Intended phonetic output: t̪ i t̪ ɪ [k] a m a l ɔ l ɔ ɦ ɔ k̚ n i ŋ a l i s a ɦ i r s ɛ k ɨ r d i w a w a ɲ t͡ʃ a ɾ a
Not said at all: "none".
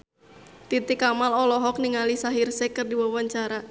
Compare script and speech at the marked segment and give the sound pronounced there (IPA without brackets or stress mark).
k